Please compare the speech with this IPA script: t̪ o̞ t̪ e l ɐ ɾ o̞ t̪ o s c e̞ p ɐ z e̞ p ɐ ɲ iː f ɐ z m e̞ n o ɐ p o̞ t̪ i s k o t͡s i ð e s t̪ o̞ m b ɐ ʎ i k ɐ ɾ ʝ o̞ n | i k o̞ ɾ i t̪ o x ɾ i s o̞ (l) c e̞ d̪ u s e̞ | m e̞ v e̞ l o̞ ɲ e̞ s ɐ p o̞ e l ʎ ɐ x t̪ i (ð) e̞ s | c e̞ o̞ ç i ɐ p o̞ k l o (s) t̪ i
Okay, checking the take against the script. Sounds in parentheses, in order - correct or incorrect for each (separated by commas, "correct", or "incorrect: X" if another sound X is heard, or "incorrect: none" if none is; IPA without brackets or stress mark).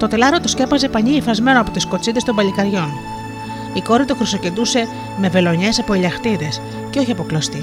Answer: incorrect: none, correct, correct